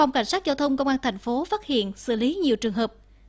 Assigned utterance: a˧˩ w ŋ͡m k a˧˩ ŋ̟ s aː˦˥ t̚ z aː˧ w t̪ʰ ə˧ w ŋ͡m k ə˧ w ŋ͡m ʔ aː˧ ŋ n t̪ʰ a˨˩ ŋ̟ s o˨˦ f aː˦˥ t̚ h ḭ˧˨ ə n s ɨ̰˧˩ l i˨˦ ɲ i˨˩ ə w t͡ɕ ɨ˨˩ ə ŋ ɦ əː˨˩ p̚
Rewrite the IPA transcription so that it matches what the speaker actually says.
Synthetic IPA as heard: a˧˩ w ŋ͡m k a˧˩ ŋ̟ s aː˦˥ t̚ z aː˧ w t̪ʰ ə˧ w ŋ͡m k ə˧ w ŋ͡m ʔ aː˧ n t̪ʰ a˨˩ ŋ̟ f o˨˦ f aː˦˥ t̚ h ḭ˧˨ ə n s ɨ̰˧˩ l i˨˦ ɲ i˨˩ ə w t͡ɕ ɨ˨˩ ə ŋ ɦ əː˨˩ p̚